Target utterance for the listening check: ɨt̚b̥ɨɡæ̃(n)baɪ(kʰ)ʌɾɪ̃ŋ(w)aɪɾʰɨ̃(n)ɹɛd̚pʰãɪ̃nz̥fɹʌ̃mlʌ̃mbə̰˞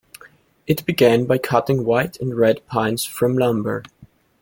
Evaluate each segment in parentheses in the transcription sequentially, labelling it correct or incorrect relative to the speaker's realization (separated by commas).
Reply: correct, correct, correct, correct